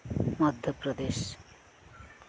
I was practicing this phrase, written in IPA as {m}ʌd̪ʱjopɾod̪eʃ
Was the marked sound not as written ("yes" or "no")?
no